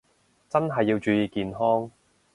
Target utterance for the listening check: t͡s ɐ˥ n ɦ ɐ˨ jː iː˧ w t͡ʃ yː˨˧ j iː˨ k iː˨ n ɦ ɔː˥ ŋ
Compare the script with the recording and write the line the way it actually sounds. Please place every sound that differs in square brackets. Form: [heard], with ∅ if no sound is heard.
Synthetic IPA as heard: t͡s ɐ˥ n ɦ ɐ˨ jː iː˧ w t͡ʃ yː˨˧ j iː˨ k iː˨ n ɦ ɔː˥ ŋ